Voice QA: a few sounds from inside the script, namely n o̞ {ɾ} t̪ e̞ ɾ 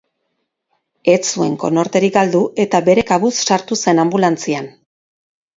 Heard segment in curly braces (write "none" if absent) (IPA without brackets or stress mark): ɾ